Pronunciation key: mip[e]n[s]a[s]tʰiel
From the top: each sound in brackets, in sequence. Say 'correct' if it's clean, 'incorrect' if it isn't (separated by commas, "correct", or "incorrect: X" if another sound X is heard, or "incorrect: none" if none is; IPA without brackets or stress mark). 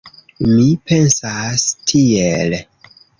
correct, correct, correct